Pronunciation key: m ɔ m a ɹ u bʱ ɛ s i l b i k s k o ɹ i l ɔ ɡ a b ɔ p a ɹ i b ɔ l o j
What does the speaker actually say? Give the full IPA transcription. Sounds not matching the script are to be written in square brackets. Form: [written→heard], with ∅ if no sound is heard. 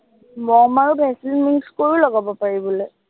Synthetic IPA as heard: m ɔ m a ɹ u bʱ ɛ s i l [b→m] i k s k o ɹ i l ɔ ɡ a b ɔ p a ɹ i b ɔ l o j